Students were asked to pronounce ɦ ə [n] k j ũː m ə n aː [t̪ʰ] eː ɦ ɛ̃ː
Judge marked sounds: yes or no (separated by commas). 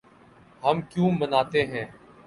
no, no